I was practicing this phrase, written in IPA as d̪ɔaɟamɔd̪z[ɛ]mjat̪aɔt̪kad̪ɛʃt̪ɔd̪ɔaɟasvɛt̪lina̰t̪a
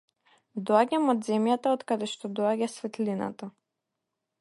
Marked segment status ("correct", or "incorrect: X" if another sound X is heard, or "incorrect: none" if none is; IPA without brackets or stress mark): correct